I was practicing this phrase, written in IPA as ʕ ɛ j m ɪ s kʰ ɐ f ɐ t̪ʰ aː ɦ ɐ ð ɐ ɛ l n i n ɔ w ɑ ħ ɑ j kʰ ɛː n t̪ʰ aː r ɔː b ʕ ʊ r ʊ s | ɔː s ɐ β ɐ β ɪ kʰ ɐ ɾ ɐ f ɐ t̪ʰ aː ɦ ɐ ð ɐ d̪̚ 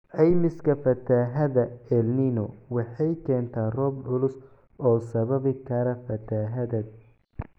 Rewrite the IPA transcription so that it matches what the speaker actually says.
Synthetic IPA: ʕ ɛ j m ɪ s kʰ ɐ f ɐ t̪ʰ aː ɦ ɐ ð ɐ ɛ l n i n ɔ w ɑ ħ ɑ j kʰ ɛː n t̪ʰ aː r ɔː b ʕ ʊ l ʊ s | ɔː s ɐ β ɐ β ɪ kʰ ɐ ɾ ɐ f ɐ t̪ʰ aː ɦ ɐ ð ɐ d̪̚